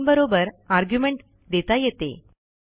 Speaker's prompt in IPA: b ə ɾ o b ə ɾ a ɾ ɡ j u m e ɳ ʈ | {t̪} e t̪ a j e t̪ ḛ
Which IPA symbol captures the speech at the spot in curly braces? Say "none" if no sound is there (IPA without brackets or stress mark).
d̪